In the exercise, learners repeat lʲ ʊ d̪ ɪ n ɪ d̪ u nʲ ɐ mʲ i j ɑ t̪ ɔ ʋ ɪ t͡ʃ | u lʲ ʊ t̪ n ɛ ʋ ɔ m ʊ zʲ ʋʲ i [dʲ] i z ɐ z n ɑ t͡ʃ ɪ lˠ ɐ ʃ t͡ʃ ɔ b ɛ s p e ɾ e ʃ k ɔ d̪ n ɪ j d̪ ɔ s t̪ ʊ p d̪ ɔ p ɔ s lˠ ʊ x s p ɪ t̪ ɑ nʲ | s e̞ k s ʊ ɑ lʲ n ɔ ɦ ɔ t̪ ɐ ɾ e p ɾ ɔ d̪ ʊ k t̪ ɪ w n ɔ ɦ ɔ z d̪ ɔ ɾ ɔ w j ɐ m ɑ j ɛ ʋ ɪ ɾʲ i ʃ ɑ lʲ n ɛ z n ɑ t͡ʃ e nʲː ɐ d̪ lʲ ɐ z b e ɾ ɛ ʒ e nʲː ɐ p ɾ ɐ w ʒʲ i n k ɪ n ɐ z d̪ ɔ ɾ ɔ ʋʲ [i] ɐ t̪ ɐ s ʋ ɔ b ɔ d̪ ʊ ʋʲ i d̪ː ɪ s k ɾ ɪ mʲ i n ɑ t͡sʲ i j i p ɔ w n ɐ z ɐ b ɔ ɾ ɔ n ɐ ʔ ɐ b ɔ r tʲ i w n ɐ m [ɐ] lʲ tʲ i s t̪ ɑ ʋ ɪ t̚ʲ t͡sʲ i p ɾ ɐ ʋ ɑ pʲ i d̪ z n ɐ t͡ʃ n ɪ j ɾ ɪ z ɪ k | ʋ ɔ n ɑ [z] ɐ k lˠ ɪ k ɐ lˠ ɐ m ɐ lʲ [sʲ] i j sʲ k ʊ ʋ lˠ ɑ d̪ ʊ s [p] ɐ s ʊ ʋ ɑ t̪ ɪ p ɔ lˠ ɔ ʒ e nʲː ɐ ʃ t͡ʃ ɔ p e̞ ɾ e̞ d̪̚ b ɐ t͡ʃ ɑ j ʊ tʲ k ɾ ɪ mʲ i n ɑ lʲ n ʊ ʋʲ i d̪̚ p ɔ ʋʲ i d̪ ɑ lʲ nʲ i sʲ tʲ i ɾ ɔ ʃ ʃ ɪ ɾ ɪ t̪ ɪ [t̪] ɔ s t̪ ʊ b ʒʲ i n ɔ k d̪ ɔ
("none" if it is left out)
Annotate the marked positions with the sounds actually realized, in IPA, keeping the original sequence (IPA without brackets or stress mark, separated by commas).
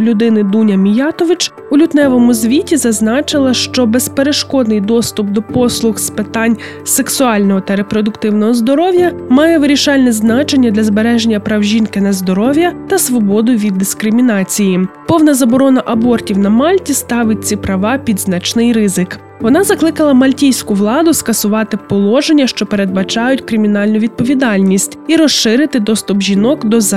tʲ, j, ɑ, z, tʲ, k, d̪